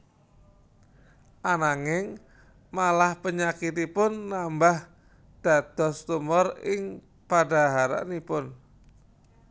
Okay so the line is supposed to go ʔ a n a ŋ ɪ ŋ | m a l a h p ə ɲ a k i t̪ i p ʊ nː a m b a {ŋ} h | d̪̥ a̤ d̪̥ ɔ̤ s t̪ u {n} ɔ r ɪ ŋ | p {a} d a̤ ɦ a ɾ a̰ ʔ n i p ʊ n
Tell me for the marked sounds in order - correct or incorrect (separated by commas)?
incorrect, incorrect, correct